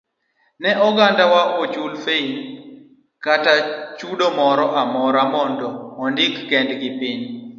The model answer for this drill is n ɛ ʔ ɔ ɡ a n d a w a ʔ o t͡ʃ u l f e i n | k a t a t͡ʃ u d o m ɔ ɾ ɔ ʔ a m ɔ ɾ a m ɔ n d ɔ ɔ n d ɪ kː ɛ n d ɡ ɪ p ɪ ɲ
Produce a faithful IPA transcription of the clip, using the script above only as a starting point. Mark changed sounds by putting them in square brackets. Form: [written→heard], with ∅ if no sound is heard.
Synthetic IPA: n ɛ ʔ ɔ ɡ a n d a w a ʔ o t͡ʃ u l f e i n | k a t a t͡ʃ u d o m ɔ ɾ ɔ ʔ a m ɔ ɾ a m ɔ n d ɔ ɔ n d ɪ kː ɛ n d ɡ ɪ p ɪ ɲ